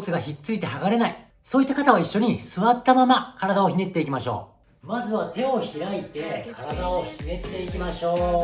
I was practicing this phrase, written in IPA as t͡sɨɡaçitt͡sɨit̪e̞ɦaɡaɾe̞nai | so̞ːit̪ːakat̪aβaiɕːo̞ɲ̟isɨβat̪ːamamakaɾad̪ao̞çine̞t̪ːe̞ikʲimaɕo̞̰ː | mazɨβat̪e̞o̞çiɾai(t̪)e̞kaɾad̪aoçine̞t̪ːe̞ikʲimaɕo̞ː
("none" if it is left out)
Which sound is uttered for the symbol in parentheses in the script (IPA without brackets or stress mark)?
t̪